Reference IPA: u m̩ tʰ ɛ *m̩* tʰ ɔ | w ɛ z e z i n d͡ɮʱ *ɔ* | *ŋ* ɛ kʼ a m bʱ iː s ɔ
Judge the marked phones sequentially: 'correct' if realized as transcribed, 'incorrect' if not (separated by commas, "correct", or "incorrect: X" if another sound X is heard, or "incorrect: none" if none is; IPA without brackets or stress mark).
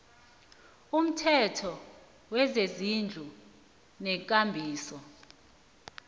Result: incorrect: none, incorrect: u, incorrect: n